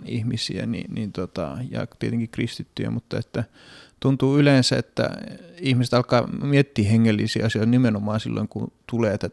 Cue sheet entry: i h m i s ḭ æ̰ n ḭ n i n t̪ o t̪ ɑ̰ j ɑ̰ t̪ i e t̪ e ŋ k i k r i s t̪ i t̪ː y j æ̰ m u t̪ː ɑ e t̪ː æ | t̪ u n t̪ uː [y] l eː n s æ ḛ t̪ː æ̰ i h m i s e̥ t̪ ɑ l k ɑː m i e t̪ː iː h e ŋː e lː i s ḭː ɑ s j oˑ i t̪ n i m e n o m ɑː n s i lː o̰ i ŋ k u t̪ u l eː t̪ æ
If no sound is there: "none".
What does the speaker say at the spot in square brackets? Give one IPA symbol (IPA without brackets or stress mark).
y